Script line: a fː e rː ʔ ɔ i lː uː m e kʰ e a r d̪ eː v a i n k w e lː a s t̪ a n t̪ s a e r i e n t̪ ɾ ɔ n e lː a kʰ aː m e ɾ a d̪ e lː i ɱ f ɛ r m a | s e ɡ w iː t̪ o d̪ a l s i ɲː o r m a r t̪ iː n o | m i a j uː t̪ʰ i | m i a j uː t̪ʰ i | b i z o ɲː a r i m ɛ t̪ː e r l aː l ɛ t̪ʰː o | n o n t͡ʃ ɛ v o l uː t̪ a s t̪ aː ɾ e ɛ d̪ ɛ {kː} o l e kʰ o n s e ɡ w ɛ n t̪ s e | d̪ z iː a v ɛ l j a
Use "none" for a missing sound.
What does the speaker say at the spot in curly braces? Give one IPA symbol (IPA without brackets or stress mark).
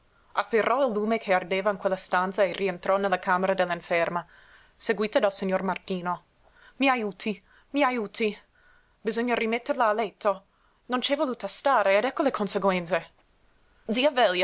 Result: kː